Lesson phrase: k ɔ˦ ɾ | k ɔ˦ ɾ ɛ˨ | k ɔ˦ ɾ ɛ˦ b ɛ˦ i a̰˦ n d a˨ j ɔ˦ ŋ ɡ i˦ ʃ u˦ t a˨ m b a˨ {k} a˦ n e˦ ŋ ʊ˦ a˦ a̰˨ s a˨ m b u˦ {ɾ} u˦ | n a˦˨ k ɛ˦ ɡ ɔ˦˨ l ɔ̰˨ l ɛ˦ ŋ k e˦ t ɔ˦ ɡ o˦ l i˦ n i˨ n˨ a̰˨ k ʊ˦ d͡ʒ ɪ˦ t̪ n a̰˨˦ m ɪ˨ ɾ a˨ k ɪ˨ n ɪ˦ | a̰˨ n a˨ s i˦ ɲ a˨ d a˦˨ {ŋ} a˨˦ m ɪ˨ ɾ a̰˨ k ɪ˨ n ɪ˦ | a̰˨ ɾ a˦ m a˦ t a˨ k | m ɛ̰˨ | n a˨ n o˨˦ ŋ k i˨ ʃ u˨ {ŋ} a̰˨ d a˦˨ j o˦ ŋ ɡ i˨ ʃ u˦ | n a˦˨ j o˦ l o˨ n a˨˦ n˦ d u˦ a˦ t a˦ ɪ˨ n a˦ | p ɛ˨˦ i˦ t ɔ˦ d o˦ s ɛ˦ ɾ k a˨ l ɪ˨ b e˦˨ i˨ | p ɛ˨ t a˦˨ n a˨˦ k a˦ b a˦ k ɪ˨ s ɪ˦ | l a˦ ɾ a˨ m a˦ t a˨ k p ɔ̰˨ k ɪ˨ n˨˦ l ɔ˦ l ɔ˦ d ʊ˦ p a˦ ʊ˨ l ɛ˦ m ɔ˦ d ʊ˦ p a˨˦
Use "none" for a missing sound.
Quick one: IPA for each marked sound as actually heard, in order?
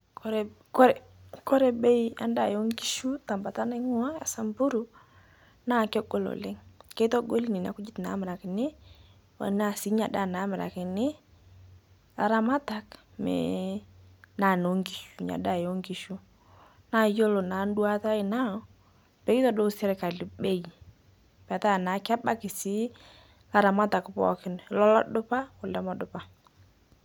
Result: t, ɾ, n, ɲ

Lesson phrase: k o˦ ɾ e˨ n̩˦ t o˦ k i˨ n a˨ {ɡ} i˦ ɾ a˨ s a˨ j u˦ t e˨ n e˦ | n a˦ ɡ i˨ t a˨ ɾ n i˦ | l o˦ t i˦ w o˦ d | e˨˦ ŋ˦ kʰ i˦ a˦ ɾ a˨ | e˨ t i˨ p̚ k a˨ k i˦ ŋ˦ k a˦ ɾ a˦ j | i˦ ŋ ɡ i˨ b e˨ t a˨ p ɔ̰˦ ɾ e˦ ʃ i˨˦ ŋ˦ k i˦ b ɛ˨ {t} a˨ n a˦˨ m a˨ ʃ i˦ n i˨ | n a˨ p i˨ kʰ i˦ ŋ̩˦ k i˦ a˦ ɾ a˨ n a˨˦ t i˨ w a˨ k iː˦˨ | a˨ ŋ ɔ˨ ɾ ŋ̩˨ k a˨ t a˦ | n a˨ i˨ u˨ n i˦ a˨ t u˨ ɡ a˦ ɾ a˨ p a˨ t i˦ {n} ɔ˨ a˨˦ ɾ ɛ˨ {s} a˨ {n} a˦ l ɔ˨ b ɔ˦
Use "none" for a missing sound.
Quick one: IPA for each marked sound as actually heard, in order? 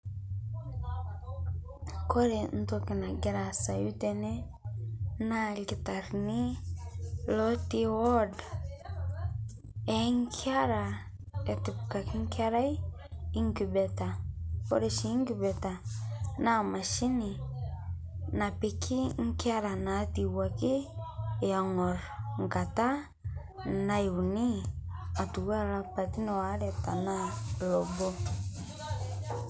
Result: ɡ, t, n, t, n

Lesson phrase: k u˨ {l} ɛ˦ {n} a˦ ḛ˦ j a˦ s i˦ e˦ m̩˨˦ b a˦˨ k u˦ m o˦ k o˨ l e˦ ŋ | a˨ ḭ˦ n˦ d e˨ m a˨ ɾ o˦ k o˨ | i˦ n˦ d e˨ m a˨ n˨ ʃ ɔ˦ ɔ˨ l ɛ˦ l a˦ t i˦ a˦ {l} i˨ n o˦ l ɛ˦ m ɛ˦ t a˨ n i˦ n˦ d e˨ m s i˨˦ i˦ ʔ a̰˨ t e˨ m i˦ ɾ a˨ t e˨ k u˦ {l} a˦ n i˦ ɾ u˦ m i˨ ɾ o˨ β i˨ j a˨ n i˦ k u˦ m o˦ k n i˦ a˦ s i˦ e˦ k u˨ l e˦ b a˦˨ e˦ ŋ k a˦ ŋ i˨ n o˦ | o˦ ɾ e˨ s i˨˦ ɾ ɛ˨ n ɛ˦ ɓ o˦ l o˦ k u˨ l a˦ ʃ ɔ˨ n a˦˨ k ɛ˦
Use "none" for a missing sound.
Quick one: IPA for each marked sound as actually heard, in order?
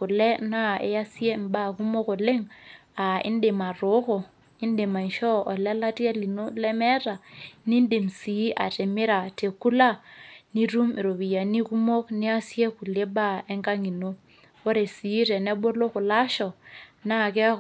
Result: l, n, l, l

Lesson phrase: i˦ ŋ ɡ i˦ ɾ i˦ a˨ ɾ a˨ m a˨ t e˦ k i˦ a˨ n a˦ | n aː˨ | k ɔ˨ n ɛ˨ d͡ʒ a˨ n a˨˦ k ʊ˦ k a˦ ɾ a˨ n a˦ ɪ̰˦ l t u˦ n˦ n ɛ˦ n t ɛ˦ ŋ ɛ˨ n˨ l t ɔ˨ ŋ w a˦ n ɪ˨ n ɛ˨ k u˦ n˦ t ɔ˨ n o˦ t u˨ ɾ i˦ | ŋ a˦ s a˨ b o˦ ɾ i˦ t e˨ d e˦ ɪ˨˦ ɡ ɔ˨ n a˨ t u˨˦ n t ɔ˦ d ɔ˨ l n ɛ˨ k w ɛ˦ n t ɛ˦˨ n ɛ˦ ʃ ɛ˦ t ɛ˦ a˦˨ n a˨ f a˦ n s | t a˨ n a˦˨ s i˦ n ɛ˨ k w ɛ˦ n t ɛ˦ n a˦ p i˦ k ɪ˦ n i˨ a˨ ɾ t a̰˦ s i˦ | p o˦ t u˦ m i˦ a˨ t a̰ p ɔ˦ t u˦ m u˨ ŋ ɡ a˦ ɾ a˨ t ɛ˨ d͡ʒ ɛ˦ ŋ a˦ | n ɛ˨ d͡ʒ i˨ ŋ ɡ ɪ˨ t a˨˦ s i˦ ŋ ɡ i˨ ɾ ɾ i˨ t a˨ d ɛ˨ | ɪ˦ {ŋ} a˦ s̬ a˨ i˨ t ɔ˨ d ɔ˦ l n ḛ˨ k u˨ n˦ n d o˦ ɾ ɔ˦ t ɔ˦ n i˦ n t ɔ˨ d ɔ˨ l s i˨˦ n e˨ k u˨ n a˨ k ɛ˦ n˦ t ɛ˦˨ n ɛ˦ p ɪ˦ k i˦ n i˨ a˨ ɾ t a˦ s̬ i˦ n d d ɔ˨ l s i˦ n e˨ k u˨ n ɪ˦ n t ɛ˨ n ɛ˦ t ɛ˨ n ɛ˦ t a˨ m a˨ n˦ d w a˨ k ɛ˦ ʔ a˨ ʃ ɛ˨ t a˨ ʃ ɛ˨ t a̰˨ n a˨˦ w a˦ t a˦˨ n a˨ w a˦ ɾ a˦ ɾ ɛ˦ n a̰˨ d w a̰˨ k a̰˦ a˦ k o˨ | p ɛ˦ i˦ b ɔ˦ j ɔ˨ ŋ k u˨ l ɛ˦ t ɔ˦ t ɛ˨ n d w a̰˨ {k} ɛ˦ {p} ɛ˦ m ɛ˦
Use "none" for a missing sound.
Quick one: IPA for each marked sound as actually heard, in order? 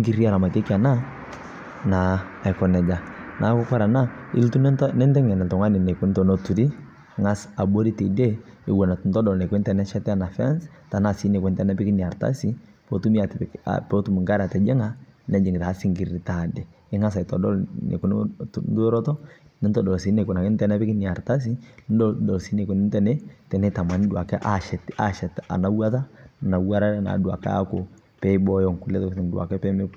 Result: ŋ, k, p

